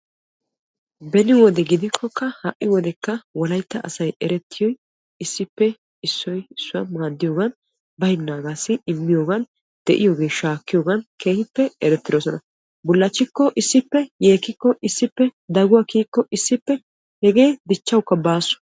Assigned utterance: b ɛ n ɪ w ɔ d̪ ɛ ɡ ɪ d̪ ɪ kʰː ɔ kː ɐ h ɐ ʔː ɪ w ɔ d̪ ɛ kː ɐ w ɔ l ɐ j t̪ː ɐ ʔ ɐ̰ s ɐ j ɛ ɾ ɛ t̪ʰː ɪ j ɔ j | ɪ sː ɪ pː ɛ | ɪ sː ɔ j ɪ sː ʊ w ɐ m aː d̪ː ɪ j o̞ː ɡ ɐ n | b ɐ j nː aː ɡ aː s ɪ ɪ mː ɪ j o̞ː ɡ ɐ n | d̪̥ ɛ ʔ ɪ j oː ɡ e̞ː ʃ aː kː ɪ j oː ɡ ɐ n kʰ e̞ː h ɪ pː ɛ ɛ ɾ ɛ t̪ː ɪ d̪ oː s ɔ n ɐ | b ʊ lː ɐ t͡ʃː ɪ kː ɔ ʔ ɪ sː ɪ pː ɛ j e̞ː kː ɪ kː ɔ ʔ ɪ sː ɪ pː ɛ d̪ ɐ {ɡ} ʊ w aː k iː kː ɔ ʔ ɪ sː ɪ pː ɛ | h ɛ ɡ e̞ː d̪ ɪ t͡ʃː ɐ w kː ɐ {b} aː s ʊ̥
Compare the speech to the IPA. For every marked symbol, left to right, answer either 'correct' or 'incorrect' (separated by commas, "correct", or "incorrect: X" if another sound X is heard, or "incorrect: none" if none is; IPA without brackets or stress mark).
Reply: correct, correct